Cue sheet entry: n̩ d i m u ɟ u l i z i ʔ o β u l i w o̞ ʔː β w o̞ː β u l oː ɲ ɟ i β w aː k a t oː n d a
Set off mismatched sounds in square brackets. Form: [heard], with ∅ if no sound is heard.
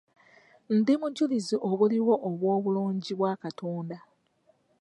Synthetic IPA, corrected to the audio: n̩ d i m u ɟ u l i z i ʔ o β u l i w o̞ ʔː β w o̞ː β u l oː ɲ ɟ i β w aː k a t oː n d a